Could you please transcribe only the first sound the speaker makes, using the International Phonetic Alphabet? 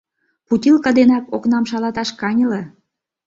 p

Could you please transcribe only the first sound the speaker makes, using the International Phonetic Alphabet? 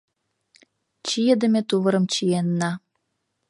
t͡ɕ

